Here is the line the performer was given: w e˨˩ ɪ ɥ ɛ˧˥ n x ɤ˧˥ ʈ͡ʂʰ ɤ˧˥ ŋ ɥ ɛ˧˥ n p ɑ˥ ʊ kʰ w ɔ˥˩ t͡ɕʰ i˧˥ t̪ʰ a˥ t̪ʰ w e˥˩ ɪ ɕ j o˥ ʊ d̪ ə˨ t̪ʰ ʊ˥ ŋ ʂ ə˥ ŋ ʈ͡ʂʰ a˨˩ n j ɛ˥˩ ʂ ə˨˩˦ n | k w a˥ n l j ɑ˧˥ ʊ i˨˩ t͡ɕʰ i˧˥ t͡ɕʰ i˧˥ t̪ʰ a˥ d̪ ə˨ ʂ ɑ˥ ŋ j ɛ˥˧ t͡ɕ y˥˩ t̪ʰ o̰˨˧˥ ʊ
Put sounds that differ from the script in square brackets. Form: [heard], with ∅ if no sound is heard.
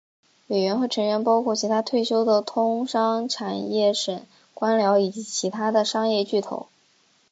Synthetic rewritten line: w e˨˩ ɪ ɥ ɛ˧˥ n x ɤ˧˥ ʈ͡ʂʰ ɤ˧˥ ŋ ɥ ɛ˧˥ n p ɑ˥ ʊ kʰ w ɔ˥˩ t͡ɕʰ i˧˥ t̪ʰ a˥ t̪ʰ w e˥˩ ɪ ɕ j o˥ ʊ d̪ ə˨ t̪ʰ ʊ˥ ŋ ʂ [ɑ˥] ŋ ʈ͡ʂʰ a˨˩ n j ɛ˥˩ ʂ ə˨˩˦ n | k w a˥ n l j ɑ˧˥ ʊ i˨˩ [t͡ɕ] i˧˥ t͡ɕʰ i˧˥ t̪ʰ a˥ d̪ ə˨ ʂ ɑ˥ ŋ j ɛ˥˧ t͡ɕ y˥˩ t̪ʰ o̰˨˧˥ ʊ